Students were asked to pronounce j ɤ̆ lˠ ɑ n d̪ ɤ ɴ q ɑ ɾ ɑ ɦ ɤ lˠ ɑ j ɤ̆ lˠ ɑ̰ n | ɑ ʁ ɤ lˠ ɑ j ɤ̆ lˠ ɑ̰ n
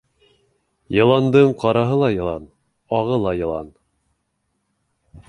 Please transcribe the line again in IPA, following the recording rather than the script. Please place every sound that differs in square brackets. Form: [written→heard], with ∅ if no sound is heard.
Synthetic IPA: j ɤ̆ lˠ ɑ n d̪ ɤ ɴ q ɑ ɾ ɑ ɦ ɤ lˠ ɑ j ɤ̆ lˠ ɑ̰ n | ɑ ʁ ɤ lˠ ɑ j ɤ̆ lˠ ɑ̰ n